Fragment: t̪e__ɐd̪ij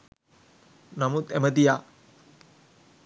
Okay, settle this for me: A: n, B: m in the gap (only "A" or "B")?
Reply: B